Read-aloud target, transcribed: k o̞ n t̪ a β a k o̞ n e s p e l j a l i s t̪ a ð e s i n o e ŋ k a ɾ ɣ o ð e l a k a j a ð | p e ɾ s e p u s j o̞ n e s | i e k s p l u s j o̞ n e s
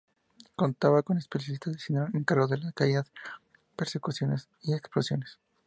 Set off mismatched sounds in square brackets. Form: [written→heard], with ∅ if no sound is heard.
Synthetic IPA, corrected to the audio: k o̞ n t̪ a β a k o̞ n e s p e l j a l i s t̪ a ð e s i n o e ŋ k a ɾ ɣ o ð e l a k a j a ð | p e ɾ s e [p→k] u s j o̞ n e s | i e k s p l [u→o] s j o̞ n e s